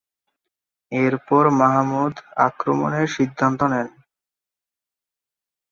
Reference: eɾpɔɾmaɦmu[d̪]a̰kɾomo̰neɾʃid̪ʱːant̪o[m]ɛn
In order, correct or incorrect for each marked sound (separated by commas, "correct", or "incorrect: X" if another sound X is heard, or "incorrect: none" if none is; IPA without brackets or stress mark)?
correct, incorrect: n